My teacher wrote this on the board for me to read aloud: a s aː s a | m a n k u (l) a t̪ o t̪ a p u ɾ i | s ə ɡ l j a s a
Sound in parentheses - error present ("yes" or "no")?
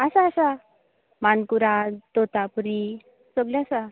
yes